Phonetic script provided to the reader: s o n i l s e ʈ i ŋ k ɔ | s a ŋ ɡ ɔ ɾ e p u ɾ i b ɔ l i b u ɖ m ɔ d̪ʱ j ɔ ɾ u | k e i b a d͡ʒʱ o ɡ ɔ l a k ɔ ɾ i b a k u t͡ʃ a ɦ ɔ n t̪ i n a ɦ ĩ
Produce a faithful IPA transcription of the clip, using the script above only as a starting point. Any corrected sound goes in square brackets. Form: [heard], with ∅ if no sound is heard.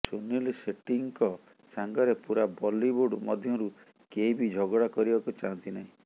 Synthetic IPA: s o n i l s e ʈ i ŋ k ɔ | s a ŋ ɡ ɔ ɾ e p u ɾ [a] b ɔ l i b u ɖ m ɔ d̪ʱ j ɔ ɾ u | k e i b [i] d͡ʒʱ [ɔ] ɡ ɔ [ɽ] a k ɔ ɾ i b a k u t͡ʃ a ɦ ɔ n t̪ i n a ɦ ĩ

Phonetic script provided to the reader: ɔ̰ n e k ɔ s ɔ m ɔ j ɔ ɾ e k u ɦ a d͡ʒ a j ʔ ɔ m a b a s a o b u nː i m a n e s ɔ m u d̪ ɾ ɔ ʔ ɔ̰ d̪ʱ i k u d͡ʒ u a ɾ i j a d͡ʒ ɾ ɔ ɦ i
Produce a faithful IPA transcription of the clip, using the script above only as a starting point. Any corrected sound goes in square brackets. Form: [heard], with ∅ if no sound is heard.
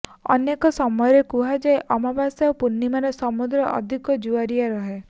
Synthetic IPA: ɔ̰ n e k ɔ s ɔ m ɔ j ɔ ɾ e k u ɦ a d͡ʒ a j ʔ ɔ m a b a s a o [p] u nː i m a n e s ɔ m u d̪ ɾ ɔ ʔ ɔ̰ d̪ʱ i k [ɔ] d͡ʒ u a ɾ i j a [∅] ɾ ɔ ɦ [e]

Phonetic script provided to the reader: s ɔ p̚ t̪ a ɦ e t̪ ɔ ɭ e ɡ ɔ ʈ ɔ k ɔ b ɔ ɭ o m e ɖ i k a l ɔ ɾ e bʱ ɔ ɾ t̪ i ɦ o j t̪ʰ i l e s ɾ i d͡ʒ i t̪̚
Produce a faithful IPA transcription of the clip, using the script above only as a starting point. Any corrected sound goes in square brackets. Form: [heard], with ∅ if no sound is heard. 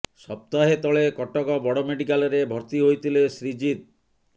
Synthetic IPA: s ɔ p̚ t̪ a ɦ e t̪ ɔ ɭ e [k] ɔ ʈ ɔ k ɔ b ɔ [ɽ] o m e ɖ i k a l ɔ ɾ e bʱ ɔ ɾ t̪ i ɦ o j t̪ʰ i l e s ɾ i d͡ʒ i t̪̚

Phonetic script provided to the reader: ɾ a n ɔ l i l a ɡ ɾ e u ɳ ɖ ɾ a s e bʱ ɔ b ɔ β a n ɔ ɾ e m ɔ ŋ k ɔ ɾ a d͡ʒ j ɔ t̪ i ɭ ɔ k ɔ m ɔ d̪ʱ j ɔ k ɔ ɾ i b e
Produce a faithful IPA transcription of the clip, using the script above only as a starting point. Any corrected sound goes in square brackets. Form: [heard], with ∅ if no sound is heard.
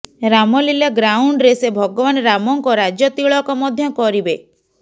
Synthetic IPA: ɾ a [m] ɔ l i l a ɡ ɾ [a] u ɳ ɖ ɾ [e] s e bʱ ɔ [ɡ] ɔ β a n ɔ ɾ [a] m ɔ ŋ k ɔ ɾ a d͡ʒ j ɔ t̪ i ɭ ɔ k ɔ m ɔ d̪ʱ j ɔ k ɔ ɾ i b e

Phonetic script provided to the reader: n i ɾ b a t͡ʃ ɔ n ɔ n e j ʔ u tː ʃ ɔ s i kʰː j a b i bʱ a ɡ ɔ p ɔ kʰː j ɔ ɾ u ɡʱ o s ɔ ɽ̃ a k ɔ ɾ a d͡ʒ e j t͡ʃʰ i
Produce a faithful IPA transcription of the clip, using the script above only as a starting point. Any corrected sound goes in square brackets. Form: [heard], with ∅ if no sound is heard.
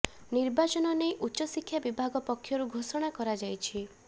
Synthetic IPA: n i ɾ b a t͡ʃ ɔ n ɔ n e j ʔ u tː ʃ ɔ s i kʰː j a b i bʱ a ɡ ɔ p ɔ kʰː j ɔ ɾ u ɡʱ o s ɔ ɽ̃ a k ɔ ɾ a d͡ʒ [a] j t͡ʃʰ i

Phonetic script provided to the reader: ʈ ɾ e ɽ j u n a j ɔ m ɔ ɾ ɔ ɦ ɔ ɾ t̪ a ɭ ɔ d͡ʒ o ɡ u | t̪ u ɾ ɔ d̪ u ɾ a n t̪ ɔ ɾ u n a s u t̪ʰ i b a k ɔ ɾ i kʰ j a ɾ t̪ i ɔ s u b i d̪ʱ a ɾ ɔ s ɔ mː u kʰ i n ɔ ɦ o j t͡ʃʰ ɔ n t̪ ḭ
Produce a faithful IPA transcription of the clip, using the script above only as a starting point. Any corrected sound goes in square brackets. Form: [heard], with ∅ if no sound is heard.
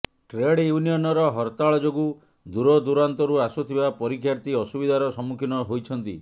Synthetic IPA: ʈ ɾ e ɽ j u n [i] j ɔ [n] ɔ ɾ ɔ ɦ ɔ ɾ t̪ a ɭ ɔ d͡ʒ o ɡ u | [d̪] u ɾ ɔ d̪ u ɾ a n t̪ ɔ ɾ u [∅] a s u t̪ʰ i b a [p] ɔ ɾ i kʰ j a ɾ t̪ i ɔ s u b i d̪ʱ a ɾ ɔ s ɔ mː u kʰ i n ɔ ɦ o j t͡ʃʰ ɔ n t̪ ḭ

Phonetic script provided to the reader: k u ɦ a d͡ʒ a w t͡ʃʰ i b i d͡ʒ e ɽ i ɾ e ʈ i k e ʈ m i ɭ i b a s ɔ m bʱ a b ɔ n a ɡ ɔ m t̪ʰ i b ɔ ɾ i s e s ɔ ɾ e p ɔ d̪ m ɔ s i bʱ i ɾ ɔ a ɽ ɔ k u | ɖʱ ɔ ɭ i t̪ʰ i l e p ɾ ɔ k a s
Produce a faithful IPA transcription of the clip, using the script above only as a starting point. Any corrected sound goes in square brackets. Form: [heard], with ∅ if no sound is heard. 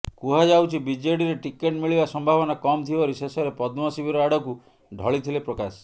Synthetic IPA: k u ɦ a d͡ʒ a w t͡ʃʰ i b i d͡ʒ e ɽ i ɾ e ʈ i k e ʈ m i ɭ i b a s ɔ m bʱ a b ɔ n a [k] ɔ m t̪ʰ i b ɔ ɾ i s e s ɔ ɾ e p ɔ d̪ m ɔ s i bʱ i ɾ ɔ a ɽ ɔ k u | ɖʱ ɔ ɭ i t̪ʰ i l e p ɾ ɔ k a s

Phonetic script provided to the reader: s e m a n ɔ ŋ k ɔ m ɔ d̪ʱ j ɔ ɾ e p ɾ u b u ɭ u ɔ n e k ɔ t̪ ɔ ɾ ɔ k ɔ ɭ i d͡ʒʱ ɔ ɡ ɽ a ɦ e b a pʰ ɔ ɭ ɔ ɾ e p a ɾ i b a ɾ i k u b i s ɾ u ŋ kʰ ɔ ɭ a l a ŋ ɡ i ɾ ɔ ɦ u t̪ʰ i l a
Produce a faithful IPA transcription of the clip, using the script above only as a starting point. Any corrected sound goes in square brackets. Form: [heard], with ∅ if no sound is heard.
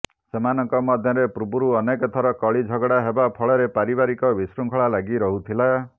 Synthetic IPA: s e m a n ɔ ŋ k ɔ m ɔ d̪ʱ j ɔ ɾ e p ɾ u b u [ɾ] u ɔ n e k ɔ [t̪ʰ] ɔ ɾ ɔ k ɔ ɭ i d͡ʒʱ ɔ ɡ ɽ a ɦ e b a pʰ ɔ ɭ ɔ ɾ e p a ɾ i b a ɾ i k [ɔ] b i s ɾ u ŋ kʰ ɔ ɭ a l a [∅] ɡ i ɾ ɔ ɦ u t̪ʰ i l a

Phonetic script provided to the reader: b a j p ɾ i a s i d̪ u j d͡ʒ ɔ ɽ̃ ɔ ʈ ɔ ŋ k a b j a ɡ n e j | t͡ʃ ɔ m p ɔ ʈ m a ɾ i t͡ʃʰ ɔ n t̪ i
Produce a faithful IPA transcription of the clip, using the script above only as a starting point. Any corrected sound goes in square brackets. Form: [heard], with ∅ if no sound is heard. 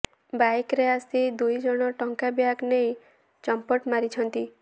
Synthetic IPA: b a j [k] ɾ [e] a s i d̪ u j d͡ʒ ɔ ɽ̃ ɔ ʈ ɔ ŋ k a b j a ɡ n e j | t͡ʃ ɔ m p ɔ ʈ m a ɾ i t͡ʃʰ ɔ n t̪ i

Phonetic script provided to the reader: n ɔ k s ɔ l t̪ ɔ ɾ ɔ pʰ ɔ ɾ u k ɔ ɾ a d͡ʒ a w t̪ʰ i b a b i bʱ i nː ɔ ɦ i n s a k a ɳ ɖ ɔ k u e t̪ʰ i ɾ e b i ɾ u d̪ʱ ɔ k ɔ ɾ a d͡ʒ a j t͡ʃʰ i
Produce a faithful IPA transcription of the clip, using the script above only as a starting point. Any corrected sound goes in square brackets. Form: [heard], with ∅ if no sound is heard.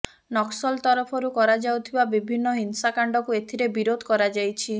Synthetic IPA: n ɔ k s ɔ l t̪ ɔ ɾ ɔ pʰ ɔ ɾ u k ɔ ɾ a d͡ʒ a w t̪ʰ i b a b i bʱ i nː ɔ ɦ i n s a k a ɳ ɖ ɔ k u e t̪ʰ i ɾ e b i ɾ [o] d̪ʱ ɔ k ɔ ɾ a d͡ʒ a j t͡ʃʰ i

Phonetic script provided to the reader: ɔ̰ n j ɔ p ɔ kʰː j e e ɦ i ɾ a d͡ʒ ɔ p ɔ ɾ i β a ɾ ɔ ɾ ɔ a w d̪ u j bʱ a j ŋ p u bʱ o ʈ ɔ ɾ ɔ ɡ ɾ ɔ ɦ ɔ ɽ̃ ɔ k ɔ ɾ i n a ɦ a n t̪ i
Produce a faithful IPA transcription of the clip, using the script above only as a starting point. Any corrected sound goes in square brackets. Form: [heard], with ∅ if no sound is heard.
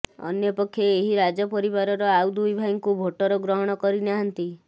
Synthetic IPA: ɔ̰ n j ɔ p ɔ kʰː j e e ɦ i ɾ a d͡ʒ ɔ p ɔ ɾ i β a ɾ ɔ ɾ ɔ a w d̪ u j bʱ a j ŋ [k] u bʱ o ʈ ɔ ɾ ɔ ɡ ɾ ɔ ɦ ɔ ɽ̃ ɔ k ɔ ɾ i n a ɦ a n t̪ i

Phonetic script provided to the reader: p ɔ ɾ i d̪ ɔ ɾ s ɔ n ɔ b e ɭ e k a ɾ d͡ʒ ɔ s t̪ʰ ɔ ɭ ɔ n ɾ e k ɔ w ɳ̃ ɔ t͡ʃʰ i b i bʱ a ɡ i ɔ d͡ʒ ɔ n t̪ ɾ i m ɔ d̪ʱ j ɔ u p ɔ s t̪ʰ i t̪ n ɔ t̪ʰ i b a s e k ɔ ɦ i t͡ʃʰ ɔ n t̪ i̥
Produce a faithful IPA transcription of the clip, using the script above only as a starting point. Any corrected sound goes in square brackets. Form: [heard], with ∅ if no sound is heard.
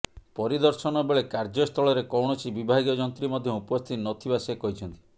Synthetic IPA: p ɔ ɾ i d̪ ɔ ɾ s ɔ n ɔ b e ɭ e k a ɾ d͡ʒ ɔ s t̪ʰ ɔ ɭ ɔ [∅] ɾ e k ɔ w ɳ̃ ɔ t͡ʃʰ i b i bʱ a ɡ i ɔ d͡ʒ ɔ n t̪ ɾ i m ɔ d̪ʱ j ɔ u p ɔ s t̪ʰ i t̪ n ɔ t̪ʰ i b a s e k ɔ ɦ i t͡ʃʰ ɔ n t̪ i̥

